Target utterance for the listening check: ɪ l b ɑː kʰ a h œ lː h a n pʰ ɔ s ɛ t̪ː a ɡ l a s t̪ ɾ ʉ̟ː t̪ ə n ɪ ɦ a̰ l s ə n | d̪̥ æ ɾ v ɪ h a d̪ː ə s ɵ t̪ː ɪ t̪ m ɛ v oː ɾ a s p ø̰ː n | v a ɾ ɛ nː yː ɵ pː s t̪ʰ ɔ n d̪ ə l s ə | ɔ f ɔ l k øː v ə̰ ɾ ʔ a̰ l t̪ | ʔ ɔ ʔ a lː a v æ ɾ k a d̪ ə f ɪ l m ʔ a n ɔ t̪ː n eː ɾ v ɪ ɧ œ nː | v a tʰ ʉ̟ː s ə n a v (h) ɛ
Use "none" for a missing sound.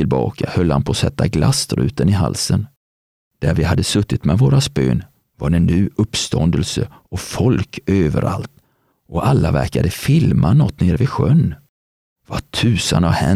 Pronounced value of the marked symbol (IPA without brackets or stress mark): h